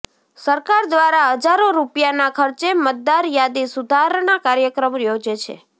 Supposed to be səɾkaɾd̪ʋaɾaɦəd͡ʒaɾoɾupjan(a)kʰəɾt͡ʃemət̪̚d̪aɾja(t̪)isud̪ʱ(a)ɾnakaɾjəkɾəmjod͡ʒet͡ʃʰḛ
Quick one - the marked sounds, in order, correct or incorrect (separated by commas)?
correct, incorrect, correct